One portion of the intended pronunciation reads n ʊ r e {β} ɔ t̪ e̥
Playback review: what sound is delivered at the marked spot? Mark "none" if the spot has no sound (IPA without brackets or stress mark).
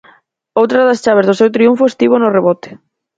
β